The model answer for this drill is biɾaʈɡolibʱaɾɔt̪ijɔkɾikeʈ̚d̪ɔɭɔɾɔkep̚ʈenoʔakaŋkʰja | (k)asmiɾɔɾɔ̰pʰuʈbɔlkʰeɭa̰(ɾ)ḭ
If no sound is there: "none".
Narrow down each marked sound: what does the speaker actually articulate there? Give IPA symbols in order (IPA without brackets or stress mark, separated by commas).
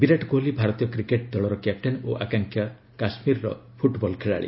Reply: k, ɭ